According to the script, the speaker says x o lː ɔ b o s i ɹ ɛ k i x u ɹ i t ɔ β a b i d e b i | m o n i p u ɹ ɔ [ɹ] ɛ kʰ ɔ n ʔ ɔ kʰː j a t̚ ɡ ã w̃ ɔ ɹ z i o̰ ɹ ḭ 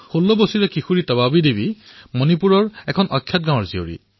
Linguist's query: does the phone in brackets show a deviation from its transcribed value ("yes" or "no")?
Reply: no